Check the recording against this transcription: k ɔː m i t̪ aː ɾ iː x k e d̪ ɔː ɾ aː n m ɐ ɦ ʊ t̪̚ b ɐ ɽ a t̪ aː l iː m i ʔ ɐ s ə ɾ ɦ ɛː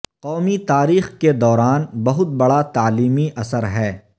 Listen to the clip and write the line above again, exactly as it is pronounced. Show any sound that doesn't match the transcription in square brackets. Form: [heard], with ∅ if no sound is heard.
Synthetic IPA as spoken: [q] ɔː m i t̪ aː ɾ iː x k e d̪ ɔː ɾ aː n [b] ɐ ɦ ʊ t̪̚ b ɐ ɽ a t̪ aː l iː m i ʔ ɐ s ə ɾ ɦ ɛː